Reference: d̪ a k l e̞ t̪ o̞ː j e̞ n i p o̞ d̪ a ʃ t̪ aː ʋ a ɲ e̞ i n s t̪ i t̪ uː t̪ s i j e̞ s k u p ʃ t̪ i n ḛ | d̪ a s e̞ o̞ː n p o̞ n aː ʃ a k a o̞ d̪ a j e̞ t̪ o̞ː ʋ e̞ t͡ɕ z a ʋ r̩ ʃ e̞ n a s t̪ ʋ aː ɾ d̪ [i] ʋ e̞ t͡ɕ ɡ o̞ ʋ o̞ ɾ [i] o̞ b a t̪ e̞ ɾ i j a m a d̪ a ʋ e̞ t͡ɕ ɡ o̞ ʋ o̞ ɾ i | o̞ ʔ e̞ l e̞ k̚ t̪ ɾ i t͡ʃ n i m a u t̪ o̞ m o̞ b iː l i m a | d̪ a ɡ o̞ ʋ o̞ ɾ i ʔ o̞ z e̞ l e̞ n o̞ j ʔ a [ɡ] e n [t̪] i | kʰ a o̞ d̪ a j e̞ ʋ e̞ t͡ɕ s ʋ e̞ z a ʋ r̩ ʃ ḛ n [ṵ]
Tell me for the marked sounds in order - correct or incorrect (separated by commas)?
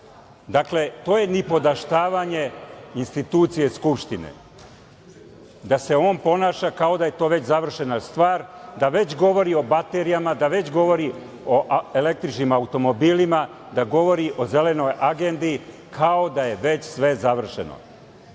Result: incorrect, correct, correct, incorrect, incorrect